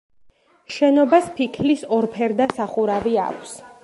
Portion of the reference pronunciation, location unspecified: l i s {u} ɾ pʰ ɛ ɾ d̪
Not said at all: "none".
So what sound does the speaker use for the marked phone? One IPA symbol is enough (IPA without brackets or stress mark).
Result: ɔ